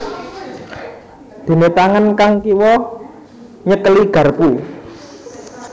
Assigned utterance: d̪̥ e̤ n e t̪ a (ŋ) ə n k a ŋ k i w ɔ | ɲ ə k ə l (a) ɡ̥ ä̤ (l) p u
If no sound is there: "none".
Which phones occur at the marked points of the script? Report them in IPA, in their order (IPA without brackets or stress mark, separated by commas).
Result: ŋ, i, r